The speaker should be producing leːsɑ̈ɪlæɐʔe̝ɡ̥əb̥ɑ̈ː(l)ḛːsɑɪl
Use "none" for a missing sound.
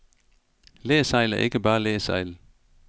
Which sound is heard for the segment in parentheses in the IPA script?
l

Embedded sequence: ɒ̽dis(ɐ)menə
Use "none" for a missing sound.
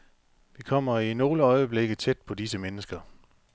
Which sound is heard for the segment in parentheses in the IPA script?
ə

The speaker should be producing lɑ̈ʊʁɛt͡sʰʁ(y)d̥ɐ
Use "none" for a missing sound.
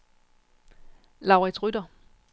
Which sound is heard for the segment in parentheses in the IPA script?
y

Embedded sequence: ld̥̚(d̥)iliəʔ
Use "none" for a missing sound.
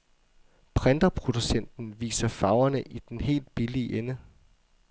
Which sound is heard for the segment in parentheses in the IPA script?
b̥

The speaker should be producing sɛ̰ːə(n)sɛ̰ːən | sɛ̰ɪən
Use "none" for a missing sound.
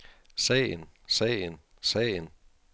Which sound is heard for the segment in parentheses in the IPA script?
n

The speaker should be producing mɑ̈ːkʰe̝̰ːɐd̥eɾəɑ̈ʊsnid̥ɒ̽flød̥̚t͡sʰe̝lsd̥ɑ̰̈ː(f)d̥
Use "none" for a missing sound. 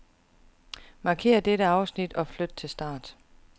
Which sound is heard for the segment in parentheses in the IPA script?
none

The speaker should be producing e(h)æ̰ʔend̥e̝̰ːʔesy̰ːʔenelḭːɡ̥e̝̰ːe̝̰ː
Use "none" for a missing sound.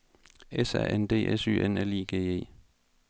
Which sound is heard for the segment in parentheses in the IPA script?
s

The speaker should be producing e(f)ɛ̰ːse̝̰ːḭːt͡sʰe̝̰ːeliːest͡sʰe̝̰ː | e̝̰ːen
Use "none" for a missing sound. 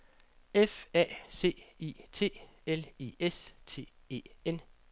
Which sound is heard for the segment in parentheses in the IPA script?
f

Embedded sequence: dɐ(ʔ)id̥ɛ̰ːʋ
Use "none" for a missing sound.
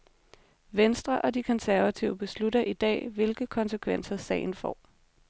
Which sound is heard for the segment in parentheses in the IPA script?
ʔ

